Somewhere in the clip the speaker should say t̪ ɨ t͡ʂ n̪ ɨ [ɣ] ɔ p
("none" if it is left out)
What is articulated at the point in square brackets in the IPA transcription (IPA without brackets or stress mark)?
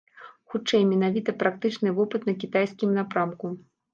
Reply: v